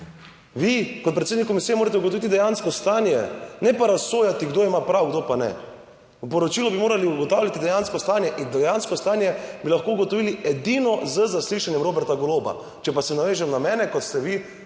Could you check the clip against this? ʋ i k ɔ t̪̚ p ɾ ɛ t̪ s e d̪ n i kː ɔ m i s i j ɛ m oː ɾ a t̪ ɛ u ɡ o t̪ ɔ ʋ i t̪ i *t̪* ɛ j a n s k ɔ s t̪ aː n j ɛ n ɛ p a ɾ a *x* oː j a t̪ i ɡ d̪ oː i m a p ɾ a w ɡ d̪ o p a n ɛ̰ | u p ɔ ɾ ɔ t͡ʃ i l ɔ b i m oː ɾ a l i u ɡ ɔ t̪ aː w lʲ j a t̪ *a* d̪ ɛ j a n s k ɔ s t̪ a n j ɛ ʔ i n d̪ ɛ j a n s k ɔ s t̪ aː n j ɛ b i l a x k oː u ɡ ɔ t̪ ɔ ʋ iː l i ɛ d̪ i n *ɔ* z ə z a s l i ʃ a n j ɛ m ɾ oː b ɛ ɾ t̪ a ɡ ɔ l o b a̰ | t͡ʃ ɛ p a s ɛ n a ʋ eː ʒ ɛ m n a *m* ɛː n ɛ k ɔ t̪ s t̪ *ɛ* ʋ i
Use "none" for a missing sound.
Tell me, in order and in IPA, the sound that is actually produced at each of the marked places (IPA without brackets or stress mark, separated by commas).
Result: d̪, s, i, ɔ, m, ɛ